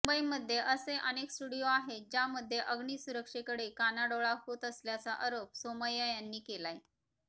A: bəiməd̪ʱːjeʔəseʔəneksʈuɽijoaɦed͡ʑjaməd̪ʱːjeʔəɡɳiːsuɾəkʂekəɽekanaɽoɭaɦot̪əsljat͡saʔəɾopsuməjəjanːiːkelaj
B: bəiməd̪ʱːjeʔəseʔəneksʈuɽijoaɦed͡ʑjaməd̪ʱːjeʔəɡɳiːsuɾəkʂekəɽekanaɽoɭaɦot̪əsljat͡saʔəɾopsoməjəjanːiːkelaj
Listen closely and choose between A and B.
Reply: B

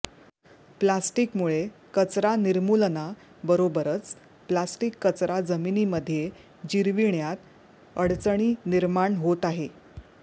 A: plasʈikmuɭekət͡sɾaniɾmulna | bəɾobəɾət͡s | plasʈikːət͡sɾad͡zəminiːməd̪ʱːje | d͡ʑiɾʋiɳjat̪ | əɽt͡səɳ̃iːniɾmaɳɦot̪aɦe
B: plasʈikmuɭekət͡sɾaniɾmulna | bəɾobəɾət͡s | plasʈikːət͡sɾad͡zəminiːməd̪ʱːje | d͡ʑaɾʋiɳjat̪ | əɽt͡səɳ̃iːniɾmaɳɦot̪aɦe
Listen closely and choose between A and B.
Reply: A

